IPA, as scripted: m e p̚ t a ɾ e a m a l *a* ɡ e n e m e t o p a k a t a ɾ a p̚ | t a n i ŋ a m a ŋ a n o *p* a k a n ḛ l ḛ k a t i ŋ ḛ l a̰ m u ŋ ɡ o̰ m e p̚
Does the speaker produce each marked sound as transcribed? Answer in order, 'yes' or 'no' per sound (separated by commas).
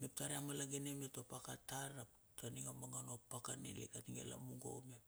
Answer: yes, yes